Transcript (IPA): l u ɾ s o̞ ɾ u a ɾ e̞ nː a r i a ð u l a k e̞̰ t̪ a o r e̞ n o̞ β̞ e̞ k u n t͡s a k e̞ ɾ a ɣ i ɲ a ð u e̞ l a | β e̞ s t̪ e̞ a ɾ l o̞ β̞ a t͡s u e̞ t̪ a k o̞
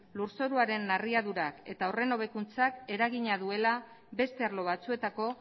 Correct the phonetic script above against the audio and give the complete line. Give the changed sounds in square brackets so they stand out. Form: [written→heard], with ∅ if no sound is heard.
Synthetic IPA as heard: l u ɾ s o̞ ɾ u a ɾ e̞ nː a r i a ð u [l→ɾ] a k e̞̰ t̪ a o r e̞ n o̞ β̞ e̞ k u n t͡s a k e̞ ɾ a ɣ i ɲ a ð u e̞ l a | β e̞ s t̪ e̞ a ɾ l o̞ β̞ a t͡s u e̞ t̪ a k o̞

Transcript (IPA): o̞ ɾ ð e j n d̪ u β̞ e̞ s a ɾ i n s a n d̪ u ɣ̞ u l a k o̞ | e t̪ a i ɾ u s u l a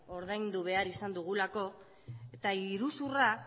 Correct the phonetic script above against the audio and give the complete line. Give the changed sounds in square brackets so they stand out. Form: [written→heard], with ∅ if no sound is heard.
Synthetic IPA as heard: o̞ ɾ ð [e→a] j n d̪ u β̞ e̞ [s→∅] a ɾ i [n→∅] s a n d̪ u ɣ̞ u l a k o̞ | e t̪ a i ɾ u s u [l→r] a

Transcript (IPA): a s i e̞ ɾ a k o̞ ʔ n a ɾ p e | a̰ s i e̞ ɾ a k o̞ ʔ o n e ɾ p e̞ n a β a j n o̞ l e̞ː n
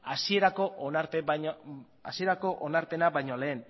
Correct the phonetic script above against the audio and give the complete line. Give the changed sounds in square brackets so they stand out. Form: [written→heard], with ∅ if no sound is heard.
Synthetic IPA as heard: a s i e̞ ɾ a k o̞ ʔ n a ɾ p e | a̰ s i e̞ ɾ a k o̞ ʔ o n [e→a] ɾ p e̞ n a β a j [n→ɲ] o̞ l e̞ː n

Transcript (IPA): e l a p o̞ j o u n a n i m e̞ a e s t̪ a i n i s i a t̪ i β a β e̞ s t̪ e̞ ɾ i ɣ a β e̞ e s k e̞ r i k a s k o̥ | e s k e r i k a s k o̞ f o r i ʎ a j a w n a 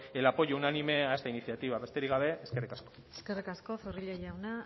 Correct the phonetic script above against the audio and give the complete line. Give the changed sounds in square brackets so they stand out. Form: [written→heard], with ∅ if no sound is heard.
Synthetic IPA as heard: e l a p o̞ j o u n a n i m e̞ a e s t̪ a i n i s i a t̪ i β a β e̞ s t̪ e̞ ɾ i ɣ a β e̞ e s k e̞ r i k a s k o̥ | e s k e r i k a s k o̞ f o r i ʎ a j a w n a

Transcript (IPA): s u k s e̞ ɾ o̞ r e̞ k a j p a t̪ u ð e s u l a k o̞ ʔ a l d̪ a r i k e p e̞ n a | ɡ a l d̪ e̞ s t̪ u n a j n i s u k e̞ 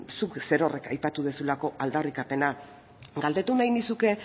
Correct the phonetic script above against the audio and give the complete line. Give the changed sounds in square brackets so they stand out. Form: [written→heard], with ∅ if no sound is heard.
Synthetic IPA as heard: s u k s e̞ ɾ o̞ r e̞ k a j p a t̪ u ð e s u l a k o̞ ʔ a l d̪ a r i k [e→a] p e̞ n a | ɡ a l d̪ e̞ [s→∅] t̪ u n a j n i s u k e̞

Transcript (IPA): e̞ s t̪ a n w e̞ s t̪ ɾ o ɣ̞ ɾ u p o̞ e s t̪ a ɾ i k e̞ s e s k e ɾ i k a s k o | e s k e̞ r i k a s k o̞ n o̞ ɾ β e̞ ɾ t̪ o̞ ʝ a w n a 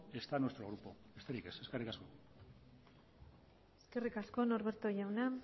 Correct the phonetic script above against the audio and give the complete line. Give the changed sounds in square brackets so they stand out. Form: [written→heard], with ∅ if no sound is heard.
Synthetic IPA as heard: e̞ s t̪ a n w e̞ s t̪ ɾ o ɣ̞ ɾ u p o̞ e s t̪ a ɾ i k e̞ s e s k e [ɾ→r] i k a s k o | e s k e̞ r i k a s k o̞ n o̞ ɾ β e̞ ɾ t̪ o̞ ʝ a w n a

